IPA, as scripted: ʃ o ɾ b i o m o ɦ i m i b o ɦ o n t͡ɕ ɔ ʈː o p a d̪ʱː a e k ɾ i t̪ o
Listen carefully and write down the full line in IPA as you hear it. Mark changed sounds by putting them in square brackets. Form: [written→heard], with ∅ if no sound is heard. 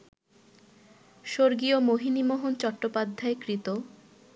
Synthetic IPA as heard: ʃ o ɾ [b→ɡ] i o m o ɦ i [m→n] i [b→m] o ɦ o n t͡ɕ ɔ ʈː o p a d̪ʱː a e k ɾ i t̪ o